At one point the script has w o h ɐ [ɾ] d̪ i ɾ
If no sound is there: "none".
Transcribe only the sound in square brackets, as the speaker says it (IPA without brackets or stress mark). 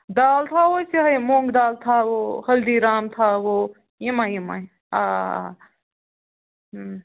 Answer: l